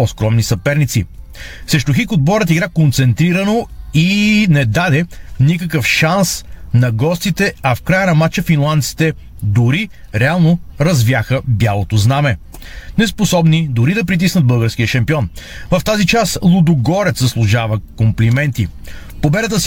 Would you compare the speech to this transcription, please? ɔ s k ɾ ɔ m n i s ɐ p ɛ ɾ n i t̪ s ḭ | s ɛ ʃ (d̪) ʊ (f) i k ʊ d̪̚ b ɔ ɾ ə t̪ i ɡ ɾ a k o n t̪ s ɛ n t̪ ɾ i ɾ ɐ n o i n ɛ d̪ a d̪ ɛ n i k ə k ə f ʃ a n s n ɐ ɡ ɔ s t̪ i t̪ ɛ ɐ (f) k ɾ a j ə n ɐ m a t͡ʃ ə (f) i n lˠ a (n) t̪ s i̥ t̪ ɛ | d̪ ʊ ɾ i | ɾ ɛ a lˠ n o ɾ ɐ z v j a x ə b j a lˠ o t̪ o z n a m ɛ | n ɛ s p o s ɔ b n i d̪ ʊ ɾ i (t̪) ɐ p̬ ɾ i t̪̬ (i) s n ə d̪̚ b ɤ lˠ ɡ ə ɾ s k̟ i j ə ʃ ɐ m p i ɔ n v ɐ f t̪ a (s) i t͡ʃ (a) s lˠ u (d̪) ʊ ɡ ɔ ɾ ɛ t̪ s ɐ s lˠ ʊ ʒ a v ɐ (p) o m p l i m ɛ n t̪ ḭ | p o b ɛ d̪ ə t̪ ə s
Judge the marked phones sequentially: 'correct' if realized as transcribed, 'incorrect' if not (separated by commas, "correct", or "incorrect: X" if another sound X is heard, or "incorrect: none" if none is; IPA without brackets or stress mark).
incorrect: t̪, incorrect: x, correct, correct, correct, incorrect: d̪, correct, incorrect: z, correct, correct, incorrect: k